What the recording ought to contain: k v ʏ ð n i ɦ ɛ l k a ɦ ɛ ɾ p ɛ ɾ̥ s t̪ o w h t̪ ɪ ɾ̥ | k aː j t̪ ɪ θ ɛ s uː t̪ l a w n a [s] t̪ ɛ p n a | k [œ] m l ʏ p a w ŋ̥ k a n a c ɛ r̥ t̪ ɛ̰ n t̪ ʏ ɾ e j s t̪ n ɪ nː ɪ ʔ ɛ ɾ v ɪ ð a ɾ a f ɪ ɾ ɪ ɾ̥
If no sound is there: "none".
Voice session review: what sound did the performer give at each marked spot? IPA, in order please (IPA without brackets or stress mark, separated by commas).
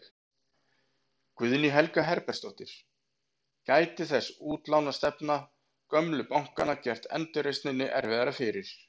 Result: s, œ